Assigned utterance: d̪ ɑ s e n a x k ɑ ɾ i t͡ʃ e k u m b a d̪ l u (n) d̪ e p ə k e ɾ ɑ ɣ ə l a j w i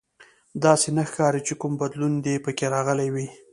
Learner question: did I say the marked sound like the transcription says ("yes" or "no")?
yes